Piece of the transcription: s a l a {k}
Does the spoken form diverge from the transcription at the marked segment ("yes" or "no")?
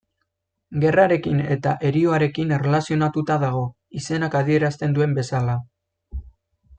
yes